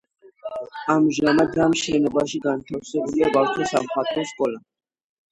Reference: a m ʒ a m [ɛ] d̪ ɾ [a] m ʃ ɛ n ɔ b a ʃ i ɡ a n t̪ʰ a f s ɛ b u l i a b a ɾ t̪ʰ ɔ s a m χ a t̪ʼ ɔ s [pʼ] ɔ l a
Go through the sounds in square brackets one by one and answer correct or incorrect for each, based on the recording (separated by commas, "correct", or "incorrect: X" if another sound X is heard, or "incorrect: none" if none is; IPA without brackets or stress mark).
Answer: incorrect: a, correct, incorrect: kʼ